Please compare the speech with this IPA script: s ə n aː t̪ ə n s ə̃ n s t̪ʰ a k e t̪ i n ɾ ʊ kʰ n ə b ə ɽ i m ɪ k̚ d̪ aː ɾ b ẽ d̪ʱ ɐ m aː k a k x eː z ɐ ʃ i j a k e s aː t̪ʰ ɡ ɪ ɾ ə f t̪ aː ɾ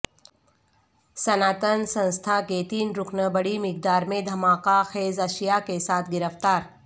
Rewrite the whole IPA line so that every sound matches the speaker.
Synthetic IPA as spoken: s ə n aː t̪ ə n s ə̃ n s t̪ʰ a k e t̪ iː n ɾ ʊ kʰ n ə b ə ɽ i m ɪ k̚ d̪ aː ɾ m ẽ d̪ʱ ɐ m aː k a x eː z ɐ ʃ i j a k e s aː t̪ʰ ɡ ɪ ɾ ə f t̪ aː ɾ

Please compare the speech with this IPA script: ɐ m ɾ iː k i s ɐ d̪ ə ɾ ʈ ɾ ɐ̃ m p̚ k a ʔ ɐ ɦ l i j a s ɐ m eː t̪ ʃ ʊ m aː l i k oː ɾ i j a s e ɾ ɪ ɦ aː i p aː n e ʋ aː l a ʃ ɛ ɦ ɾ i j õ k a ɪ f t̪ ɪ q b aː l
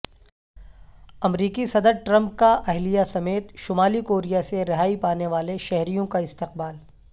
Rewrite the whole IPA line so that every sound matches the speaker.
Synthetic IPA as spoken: ɐ m ɾ iː k i s ɐ d̪ ə ɾ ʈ ɾ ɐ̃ m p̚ k a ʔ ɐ ɦ l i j a s ɐ m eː t̪ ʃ ʊ m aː l i k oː ɾ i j a s e ɾ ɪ ɦ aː i p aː n e ʋ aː l e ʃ ɛ ɦ ɾ i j õ k a ɪ s t̪ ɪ q b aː l

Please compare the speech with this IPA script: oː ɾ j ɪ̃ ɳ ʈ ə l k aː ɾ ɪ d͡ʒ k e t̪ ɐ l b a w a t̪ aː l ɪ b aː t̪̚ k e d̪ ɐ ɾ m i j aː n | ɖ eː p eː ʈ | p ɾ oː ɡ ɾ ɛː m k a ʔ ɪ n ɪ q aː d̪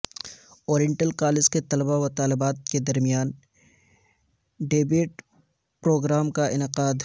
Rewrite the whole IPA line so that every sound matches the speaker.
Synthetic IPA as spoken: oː ɾ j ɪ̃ ɳ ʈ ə l k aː l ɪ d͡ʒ k e t̪ ɐ l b a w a t̪ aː l ɪ b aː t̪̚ k e d̪ ɐ ɾ m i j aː n | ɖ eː b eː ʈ | p ɾ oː ɡ ɾ aː m k a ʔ ɪ n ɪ q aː d̪

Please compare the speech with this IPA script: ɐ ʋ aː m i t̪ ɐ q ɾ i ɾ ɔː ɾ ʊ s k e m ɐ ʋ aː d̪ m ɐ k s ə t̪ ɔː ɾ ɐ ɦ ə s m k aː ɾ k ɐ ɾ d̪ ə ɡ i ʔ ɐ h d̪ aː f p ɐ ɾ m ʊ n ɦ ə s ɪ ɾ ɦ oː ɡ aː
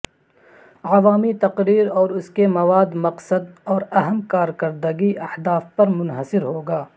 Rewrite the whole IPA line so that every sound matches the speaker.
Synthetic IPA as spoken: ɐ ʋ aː m i t̪ ɐ q ɾ iː ɾ ɔː ɾ ʊ s k e m ɐ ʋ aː d̪ m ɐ q s ə d̪ ɔː ɾ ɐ ɦ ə m k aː ɾ k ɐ ɾ d̪ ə ɡ i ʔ ɐ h d̪ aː f p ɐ ɾ m ʊ n ɦ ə s ɪ ɾ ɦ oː ɡ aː

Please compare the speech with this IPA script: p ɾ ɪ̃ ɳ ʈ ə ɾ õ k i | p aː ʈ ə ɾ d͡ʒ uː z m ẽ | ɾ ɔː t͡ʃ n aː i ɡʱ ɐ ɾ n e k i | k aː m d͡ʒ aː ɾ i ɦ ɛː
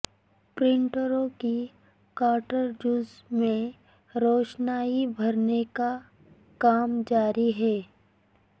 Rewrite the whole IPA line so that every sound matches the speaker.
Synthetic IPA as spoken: p ɾ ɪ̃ ɳ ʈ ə ɾ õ k i | k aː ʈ ə ɾ d͡ʒ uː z m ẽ | ɾ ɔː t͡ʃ n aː i bʱ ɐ ɾ n e k a | k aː m d͡ʒ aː ɾ i ɦ ɛː

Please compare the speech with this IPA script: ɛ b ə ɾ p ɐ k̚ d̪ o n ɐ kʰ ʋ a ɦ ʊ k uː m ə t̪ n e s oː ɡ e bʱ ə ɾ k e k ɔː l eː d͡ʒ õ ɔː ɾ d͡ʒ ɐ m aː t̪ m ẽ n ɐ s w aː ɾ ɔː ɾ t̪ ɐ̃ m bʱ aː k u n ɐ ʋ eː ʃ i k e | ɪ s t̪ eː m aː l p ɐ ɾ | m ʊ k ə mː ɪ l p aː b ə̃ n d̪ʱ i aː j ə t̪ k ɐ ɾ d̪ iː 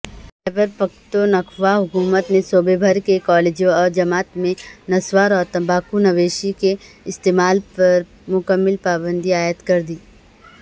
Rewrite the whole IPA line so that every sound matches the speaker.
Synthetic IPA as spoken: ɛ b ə ɾ p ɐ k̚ t̪ o n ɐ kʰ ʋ a ɦ ʊ k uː m ə t̪ n e s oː b e bʱ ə ɾ k e k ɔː l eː d͡ʒ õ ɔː ɾ d͡ʒ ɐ m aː t̪ m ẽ n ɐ s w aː ɾ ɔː ɾ t̪ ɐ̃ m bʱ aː k u n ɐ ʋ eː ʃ i k e | ɪ s t̪ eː m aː l p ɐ ɾ | m ʊ k ə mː ɪ l p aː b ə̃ n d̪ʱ i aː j ə t̪ k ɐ ɾ d̪ iː

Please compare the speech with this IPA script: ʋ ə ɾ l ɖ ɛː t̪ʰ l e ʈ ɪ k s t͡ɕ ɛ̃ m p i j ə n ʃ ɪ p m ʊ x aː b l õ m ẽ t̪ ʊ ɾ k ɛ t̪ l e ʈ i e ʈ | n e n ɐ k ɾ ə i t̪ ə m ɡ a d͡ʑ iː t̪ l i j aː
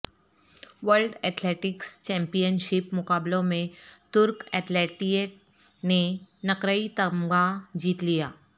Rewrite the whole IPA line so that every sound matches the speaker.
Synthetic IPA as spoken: ʋ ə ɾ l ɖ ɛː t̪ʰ l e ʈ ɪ k s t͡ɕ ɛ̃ m p i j ə n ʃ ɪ p m ʊ k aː b l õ m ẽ t̪ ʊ ɾ k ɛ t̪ l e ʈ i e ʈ | n e n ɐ k ɾ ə i t̪ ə m ɡ a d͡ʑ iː t̪ l i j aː

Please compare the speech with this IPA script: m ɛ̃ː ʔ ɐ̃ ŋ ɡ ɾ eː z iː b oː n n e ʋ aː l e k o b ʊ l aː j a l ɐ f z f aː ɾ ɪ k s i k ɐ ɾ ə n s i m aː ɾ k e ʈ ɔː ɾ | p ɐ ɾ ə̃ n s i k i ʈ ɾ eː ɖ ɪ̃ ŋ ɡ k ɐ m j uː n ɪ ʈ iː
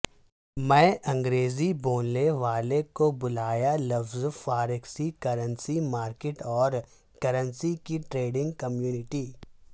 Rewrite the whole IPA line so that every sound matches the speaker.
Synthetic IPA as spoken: m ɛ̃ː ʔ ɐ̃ ŋ ɡ ɾ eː z i b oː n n e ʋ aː l e k o b ʊ l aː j a l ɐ f z f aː ɾ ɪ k s i k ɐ ɾ ə n s i m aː ɾ k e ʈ ɔː ɾ | k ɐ ɾ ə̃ n s i k i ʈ ɾ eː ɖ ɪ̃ ŋ ɡ k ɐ m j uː n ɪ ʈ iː

